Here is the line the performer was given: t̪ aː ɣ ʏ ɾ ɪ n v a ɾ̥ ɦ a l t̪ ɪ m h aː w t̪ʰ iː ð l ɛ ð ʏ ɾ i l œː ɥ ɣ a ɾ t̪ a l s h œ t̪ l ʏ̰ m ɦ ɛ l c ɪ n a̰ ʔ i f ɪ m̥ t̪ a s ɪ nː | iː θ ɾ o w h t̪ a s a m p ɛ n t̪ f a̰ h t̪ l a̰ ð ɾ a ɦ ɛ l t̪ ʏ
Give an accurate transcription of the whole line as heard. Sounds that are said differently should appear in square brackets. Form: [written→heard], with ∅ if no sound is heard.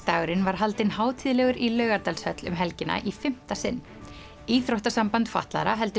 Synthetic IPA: t̪ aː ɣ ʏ ɾ ɪ n v a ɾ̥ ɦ a l t̪ ɪ [m→n] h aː w t̪ʰ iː ð l ɛ [ð→ɣ] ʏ ɾ i l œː ɥ ɣ a ɾ t̪ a l s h œ t̪ l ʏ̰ m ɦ ɛ l c ɪ n a̰ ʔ i f ɪ m̥ t̪ a s ɪ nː | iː θ ɾ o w h t̪ a s a m p [ɛ→a] n t̪ f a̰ h t̪ l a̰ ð ɾ a ɦ ɛ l t̪ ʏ